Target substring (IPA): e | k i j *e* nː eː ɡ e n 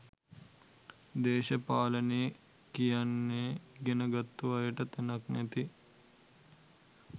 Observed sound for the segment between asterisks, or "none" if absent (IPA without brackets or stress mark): a